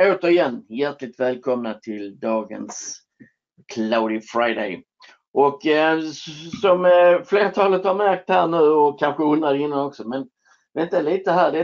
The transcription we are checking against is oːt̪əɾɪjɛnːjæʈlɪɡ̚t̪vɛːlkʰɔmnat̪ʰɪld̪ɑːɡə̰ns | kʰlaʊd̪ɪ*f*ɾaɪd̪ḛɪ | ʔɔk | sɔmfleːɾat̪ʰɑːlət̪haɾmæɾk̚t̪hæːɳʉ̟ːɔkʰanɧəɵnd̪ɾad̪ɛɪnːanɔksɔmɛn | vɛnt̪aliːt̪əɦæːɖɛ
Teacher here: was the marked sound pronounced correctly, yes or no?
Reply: yes